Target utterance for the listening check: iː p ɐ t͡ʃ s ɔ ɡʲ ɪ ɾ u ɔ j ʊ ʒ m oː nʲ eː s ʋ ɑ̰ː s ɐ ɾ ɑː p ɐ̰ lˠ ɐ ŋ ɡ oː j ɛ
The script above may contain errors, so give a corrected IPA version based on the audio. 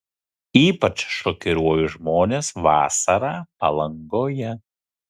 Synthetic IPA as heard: iː p ɐ t͡ʃ ʃ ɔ kʲ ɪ ɾ u ɔ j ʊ ʒ m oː nʲ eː s ʋ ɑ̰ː s ɐ ɾ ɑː p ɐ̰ lˠ ɐ ŋ ɡ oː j ɛ